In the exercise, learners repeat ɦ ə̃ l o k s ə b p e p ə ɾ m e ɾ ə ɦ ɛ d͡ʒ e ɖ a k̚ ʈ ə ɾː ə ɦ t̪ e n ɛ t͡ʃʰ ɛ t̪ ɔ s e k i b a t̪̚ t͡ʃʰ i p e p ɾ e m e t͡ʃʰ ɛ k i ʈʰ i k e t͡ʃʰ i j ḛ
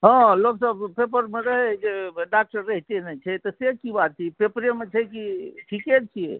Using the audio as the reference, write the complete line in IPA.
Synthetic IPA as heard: ɦ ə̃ l o k s ə b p e p ə ɾ m e ɾ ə ɦ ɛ d͡ʒ e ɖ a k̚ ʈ ə ɾː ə ɦ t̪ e n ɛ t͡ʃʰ ɛ t̪ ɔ s e k i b a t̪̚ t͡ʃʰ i p e p ɾ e m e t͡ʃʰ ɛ k i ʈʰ i k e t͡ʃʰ i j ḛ